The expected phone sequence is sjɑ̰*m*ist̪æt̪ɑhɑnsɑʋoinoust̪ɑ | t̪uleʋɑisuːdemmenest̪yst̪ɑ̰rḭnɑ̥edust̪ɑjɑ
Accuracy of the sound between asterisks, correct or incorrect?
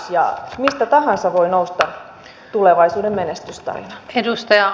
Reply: correct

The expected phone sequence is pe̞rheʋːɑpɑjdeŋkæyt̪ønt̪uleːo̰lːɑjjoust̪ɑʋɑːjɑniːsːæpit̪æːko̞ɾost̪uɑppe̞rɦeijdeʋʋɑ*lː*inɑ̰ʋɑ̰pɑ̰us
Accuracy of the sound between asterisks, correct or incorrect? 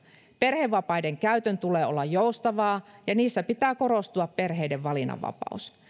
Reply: incorrect: l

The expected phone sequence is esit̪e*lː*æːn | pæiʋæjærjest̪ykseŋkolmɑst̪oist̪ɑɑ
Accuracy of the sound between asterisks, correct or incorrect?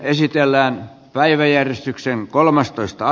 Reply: correct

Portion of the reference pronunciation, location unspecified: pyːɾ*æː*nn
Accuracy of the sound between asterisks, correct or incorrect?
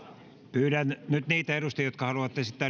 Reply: incorrect: æ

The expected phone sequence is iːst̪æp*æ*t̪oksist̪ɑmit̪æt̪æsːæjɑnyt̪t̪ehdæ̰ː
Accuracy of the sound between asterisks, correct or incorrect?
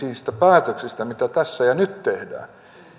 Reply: incorrect: æː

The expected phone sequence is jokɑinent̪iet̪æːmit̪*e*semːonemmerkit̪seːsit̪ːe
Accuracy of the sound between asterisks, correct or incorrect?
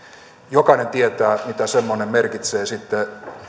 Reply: incorrect: æ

